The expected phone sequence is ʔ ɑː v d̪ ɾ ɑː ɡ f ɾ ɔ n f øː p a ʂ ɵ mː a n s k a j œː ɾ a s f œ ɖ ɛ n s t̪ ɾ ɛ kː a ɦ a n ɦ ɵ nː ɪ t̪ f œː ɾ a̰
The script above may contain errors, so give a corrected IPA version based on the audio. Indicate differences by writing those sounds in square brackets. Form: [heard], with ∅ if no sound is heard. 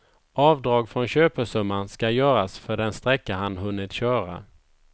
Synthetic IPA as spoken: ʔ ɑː v d̪ ɾ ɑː ɡ f ɾ ɔ n [ɕ] øː p [ə] ʂ ɵ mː a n s k a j œː ɾ a s f œ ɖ ɛ n s t̪ ɾ ɛ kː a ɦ a n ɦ ɵ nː ɪ t̪ [ɕ] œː ɾ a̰